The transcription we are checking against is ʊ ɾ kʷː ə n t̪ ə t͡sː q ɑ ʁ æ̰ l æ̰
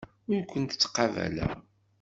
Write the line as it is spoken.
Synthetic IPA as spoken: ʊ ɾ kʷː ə n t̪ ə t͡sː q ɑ v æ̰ l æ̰

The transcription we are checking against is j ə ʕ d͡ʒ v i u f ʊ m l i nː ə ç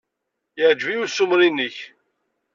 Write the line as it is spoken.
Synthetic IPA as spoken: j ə ʕ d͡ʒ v i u s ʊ m ɾ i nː ə ç

